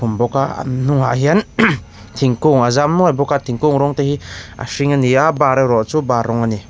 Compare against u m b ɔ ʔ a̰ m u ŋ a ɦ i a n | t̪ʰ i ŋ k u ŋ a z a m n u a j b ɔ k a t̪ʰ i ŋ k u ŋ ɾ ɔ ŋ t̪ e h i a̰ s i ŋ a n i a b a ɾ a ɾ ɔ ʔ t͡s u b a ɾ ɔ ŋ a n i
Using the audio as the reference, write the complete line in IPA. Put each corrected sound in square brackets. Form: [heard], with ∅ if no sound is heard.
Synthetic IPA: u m b ɔ [k] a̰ [n] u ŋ a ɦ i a n | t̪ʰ i ŋ k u ŋ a z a m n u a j b ɔ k a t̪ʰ i ŋ k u ŋ ɾ ɔ ŋ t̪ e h i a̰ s i ŋ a n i a b a ɾ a ɾ ɔ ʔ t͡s u b a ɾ ɔ ŋ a n i